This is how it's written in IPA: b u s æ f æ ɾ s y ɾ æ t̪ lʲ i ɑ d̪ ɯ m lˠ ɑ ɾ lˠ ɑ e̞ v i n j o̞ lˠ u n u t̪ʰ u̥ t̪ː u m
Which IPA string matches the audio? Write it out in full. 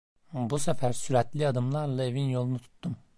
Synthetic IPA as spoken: b u s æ f æ ɾ s y ɾ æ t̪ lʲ i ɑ d̪ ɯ m lˠ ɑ ɾ lˠ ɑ e̞ v i n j o̞ lˠ u n u t̪ʰ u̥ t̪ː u m